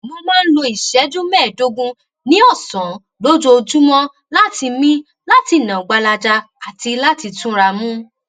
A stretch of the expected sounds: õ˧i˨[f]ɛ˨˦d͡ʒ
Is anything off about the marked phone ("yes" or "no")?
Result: yes